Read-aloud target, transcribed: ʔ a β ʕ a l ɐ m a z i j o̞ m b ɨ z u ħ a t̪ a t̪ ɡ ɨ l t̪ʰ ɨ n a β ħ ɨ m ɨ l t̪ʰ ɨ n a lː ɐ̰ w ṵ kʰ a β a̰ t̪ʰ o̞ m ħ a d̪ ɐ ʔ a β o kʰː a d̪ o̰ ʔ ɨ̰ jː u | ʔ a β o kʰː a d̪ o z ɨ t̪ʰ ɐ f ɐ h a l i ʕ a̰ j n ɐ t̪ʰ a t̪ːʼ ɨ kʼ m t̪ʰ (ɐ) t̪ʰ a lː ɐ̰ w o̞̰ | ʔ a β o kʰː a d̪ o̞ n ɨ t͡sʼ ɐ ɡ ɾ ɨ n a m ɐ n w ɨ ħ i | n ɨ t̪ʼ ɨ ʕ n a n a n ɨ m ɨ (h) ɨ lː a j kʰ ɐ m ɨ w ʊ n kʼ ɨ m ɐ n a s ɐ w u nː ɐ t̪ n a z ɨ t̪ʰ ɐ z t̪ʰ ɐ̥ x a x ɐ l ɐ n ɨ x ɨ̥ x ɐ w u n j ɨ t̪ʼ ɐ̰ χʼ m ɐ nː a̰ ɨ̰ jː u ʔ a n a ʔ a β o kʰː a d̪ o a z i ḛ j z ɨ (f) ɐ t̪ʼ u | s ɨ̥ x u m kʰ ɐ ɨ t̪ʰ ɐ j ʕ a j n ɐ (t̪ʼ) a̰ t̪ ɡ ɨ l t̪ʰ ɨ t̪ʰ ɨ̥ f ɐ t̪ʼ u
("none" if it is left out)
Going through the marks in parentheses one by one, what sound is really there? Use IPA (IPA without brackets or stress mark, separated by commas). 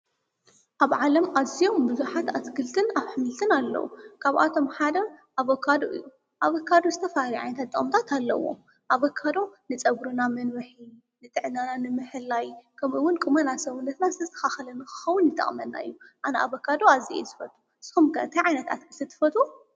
a, ħ, f, t̪